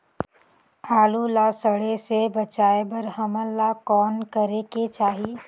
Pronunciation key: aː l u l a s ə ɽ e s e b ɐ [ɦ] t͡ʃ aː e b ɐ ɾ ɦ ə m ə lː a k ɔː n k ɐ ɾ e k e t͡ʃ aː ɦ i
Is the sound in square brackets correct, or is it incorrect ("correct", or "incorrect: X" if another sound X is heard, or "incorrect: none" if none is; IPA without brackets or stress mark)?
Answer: incorrect: none